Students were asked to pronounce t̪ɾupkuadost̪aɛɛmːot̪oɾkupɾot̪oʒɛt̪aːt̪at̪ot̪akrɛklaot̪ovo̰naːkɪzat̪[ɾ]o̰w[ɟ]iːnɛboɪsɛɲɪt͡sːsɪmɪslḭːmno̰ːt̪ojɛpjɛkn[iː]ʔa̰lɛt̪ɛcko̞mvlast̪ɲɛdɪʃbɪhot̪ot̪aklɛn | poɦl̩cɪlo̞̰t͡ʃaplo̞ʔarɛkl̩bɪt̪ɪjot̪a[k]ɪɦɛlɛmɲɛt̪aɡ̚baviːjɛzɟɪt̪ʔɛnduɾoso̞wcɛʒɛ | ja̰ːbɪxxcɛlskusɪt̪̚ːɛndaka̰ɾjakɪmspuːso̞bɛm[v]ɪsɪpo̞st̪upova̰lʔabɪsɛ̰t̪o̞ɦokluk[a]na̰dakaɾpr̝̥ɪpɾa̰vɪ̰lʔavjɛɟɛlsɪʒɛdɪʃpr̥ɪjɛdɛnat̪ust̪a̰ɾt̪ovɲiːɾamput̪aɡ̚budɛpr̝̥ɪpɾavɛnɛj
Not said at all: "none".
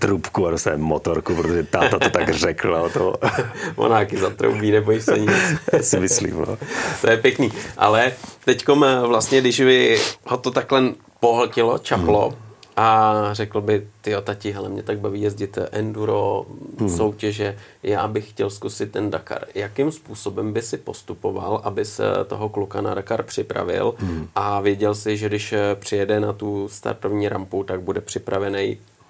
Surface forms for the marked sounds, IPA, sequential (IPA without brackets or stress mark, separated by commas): ɾ, b, iː, c, b, a